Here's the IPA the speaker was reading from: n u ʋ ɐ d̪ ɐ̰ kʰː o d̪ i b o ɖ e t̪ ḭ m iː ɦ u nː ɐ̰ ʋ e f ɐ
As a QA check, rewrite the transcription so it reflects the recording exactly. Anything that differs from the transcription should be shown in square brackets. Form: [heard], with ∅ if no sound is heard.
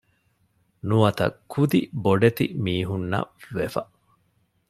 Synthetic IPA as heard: n u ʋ ɐ [t̪] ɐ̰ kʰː [u] d̪ i b o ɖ e t̪ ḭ m iː ɦ u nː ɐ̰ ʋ e f ɐ